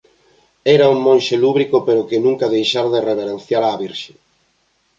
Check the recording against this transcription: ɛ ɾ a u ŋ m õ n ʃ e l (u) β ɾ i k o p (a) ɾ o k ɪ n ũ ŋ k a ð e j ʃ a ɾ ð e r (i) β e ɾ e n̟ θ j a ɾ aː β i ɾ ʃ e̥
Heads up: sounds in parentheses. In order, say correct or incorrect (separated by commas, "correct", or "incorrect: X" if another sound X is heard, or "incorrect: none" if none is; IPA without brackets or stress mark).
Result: correct, incorrect: e, incorrect: e